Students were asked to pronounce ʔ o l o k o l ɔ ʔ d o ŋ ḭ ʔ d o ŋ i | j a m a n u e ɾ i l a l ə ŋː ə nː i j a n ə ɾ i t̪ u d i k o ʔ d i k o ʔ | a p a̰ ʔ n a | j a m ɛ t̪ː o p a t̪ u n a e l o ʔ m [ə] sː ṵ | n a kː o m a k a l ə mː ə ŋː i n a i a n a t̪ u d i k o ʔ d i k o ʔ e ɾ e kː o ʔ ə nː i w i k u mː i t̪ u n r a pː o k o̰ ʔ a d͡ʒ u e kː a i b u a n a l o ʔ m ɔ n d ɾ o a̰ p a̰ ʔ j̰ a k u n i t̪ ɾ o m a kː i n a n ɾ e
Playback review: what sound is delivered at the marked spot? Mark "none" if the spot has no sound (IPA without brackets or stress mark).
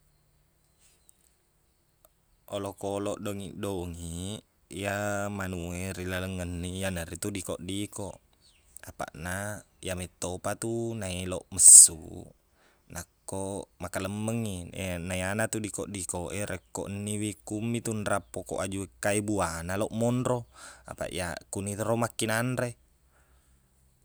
ə